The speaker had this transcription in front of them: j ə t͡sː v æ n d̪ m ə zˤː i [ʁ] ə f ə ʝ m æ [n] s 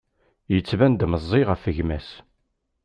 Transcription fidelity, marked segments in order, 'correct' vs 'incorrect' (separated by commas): correct, incorrect